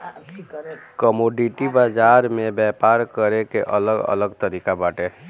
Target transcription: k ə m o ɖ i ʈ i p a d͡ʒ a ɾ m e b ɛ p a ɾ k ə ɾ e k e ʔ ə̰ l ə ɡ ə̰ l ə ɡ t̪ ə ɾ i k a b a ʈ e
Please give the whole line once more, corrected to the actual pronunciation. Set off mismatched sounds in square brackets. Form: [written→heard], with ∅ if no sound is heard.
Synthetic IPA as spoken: k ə m o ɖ i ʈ i [p→b] a d͡ʒ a ɾ m e b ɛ p a ɾ k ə ɾ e k e ʔ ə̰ l ə ɡ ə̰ l ə ɡ t̪ ə ɾ i k a b a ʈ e